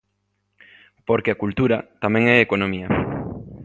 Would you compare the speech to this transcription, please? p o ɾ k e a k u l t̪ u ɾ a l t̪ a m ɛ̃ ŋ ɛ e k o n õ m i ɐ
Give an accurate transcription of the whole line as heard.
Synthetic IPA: p o ɾ k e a k u l t̪ u ɾ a t̪ a m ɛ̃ ŋ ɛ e k o n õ m i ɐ